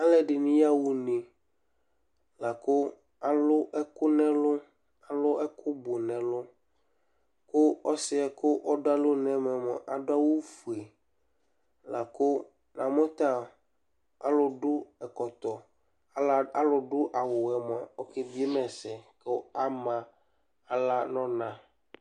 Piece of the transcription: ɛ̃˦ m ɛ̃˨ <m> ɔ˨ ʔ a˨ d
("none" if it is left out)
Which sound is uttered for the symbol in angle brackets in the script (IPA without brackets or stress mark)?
m